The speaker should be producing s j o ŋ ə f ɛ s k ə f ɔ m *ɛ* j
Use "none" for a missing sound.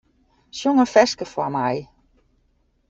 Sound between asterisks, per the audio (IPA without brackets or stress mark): a